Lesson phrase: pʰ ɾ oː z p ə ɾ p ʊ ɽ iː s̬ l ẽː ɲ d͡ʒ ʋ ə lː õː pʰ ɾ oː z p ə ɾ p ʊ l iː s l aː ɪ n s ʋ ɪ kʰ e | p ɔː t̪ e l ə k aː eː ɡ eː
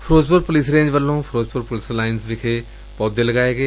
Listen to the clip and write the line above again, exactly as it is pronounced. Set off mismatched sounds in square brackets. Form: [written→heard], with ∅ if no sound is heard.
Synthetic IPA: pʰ ɾ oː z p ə ɾ p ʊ [ɽ→l] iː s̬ [l→ɾ] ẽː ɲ d͡ʒ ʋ ə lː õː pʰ ɾ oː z p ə ɾ p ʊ l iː s l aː ɪ n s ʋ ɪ kʰ e | p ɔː [t̪→d̪] e l ə [k→ɡ] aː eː ɡ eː